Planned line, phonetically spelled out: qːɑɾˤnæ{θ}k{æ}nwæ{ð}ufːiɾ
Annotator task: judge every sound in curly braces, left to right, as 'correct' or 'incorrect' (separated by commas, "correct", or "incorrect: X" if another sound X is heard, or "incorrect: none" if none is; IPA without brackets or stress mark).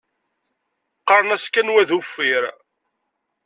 incorrect: s, correct, correct